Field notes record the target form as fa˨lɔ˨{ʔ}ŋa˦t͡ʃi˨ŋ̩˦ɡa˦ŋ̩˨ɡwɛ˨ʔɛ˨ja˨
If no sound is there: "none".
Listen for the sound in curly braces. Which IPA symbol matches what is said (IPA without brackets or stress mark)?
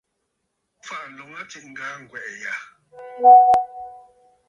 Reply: none